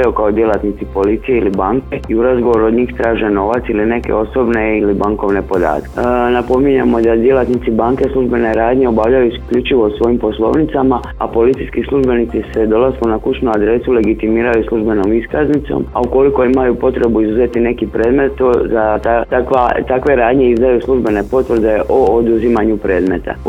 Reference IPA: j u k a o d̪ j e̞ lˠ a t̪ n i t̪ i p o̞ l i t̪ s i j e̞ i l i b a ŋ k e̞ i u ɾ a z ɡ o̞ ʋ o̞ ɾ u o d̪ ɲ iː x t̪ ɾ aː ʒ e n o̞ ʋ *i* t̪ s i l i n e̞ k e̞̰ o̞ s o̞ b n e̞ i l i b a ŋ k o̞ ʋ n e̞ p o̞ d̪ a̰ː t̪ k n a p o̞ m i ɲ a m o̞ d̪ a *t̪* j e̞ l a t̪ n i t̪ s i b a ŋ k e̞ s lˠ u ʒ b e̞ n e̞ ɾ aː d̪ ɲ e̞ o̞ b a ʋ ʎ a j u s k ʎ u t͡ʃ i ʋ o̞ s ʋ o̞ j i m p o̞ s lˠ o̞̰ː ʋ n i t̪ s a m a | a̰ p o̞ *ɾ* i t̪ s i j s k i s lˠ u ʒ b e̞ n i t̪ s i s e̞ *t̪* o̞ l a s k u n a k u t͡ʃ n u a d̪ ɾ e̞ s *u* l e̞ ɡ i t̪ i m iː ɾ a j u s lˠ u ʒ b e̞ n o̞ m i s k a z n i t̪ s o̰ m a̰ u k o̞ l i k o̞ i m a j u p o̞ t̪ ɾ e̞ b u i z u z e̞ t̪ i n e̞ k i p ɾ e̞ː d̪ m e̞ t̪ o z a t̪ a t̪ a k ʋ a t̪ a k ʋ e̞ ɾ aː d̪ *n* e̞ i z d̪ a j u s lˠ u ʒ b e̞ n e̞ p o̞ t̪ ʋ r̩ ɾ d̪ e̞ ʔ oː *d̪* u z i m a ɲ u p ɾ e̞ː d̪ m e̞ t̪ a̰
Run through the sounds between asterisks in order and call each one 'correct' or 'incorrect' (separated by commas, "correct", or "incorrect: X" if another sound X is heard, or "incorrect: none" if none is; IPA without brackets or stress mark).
incorrect: a, incorrect: d̪, incorrect: l, incorrect: d̪, correct, incorrect: ɲ, correct